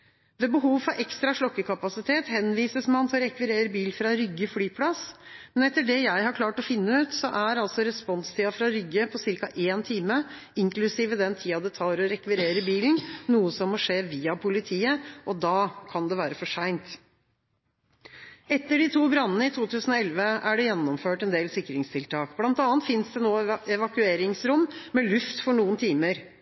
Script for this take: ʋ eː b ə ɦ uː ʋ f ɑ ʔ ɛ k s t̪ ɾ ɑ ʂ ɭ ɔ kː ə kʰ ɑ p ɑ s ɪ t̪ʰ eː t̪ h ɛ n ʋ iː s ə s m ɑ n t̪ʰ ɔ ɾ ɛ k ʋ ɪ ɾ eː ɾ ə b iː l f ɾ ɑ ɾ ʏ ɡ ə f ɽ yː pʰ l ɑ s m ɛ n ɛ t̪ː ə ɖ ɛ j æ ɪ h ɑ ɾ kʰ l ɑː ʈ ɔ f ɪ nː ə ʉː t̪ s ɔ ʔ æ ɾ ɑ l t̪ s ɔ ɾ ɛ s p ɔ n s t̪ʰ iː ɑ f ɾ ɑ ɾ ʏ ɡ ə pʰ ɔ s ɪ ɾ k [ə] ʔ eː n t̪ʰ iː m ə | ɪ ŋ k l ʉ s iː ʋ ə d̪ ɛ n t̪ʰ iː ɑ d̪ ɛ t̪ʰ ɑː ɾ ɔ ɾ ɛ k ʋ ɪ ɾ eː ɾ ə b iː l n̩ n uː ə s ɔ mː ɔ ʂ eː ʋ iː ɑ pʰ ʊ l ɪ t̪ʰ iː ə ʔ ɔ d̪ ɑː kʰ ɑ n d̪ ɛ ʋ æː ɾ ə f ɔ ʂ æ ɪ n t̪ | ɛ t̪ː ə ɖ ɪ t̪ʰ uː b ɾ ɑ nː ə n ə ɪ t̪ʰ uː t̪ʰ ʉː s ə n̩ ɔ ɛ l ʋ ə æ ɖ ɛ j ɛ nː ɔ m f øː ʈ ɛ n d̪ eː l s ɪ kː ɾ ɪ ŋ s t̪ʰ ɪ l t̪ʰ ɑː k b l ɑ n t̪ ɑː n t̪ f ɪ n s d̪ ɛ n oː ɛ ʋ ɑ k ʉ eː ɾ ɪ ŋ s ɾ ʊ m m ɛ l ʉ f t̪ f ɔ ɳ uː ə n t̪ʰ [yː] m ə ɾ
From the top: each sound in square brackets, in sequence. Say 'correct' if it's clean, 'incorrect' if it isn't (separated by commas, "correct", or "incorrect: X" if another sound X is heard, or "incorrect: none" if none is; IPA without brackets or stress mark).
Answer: incorrect: ɑ, incorrect: iː